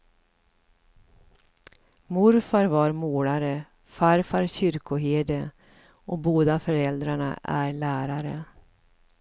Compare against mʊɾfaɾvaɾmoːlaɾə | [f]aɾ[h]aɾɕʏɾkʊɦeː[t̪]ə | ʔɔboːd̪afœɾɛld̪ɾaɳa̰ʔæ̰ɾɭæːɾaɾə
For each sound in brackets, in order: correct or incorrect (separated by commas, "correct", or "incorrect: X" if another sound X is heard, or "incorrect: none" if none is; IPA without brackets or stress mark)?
correct, incorrect: f, incorrect: d̪